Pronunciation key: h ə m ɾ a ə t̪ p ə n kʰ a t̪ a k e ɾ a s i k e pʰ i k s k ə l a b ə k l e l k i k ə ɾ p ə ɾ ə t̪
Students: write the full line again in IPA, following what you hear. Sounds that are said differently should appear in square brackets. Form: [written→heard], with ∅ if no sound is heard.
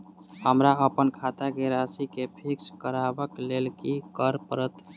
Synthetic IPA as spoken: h ə m ɾ a ə [t̪→∅] p ə n kʰ a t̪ a k e ɾ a s i k e pʰ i k s k ə [l→ɾ] a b ə k l e l k i k ə ɾ p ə ɾ ə t̪